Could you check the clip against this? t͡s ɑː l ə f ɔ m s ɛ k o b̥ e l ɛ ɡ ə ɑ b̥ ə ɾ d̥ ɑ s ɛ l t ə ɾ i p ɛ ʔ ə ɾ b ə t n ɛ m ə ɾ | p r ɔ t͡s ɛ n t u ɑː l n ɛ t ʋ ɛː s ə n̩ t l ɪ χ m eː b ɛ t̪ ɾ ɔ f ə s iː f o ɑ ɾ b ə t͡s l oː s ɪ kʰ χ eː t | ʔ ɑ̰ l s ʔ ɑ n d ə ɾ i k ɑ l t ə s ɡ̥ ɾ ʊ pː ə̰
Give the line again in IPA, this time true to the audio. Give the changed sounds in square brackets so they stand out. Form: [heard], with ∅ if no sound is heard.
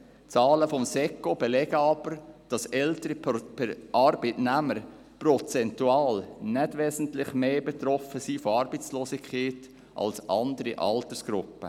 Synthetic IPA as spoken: t͡s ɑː l ə f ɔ m s ɛ k o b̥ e l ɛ ɡ ə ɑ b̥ ə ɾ d̥ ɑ s ɛ l t ə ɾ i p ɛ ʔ [ɑ] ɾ b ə t n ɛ m ə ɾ | p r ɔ t͡s ɛ n t u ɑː l n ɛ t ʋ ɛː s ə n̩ t l ɪ χ m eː b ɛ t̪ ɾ ɔ f ə s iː f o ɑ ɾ b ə t͡s l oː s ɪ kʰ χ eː t | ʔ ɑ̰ l s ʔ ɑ n d ə ɾ i [ʔ] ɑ l t ə s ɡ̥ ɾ ʊ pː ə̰